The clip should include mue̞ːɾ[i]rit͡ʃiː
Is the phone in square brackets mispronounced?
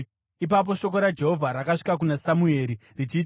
no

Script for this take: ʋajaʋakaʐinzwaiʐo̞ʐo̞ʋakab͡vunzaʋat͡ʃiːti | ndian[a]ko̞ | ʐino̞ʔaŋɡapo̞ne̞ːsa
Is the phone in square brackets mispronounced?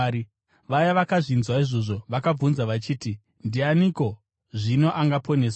yes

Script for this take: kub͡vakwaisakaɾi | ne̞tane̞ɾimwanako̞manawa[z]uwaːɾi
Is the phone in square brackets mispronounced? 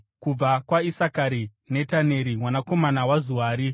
no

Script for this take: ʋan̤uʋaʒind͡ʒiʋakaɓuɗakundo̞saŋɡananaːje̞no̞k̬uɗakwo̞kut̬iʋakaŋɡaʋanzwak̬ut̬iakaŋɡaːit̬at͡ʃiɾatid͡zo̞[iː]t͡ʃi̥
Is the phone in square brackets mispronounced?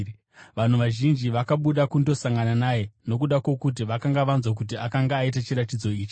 no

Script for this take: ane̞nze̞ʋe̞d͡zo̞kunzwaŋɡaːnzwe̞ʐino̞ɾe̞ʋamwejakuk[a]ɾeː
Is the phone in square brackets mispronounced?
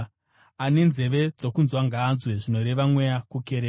yes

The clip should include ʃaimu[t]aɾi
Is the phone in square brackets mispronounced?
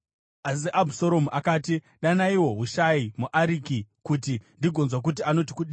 yes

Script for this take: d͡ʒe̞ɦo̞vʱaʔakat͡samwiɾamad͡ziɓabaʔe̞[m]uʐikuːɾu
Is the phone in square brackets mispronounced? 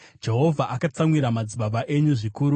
yes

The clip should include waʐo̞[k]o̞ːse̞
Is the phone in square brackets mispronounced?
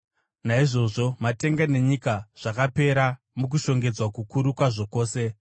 no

